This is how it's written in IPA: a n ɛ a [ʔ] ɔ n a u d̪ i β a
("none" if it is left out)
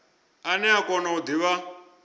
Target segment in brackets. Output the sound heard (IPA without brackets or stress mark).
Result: k